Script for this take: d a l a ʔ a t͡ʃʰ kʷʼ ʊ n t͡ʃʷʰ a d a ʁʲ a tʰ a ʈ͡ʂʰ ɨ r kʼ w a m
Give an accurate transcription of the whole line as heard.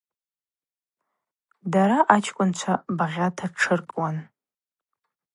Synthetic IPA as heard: d a ɾ a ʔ a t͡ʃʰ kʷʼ ʊ n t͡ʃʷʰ a b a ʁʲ a tʰ a ʈ͡ʂʰ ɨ r kʼ w a n